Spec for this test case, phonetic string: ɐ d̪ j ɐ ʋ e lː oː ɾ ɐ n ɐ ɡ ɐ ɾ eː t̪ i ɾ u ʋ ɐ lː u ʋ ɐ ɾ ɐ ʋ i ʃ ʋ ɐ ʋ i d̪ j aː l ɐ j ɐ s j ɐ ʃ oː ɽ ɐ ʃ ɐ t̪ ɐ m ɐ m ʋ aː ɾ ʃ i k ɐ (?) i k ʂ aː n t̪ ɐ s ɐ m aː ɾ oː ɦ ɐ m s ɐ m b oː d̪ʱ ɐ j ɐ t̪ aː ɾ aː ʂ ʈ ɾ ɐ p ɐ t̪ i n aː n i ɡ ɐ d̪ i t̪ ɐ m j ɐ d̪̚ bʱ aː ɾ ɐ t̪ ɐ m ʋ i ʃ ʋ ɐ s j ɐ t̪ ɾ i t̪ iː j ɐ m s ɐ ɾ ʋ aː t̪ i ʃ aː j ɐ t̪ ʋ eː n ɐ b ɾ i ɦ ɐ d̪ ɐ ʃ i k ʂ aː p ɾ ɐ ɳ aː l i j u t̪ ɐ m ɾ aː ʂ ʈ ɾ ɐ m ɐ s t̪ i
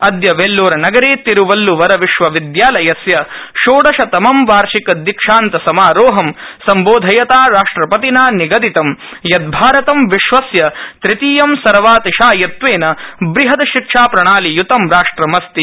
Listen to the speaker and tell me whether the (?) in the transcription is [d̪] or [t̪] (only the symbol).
d̪